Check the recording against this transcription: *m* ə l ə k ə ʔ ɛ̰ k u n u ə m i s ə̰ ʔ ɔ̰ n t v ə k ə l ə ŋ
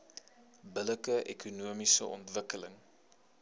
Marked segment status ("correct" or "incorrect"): incorrect